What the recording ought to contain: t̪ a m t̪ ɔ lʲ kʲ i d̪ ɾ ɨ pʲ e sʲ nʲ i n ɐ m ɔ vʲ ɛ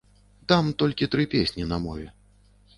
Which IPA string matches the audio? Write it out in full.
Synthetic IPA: t̪ a m t̪ ɔ lʲ kʲ i t̪ ɾ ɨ pʲ e sʲ nʲ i n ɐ m ɔ vʲ ɛ